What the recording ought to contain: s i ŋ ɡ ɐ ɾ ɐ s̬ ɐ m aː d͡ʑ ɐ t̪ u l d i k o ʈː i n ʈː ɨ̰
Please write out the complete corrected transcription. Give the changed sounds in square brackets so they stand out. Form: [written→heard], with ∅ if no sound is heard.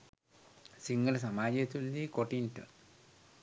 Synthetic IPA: s i ŋ ɡ ɐ [ɾ→l] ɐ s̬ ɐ m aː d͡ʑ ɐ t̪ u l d i k o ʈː i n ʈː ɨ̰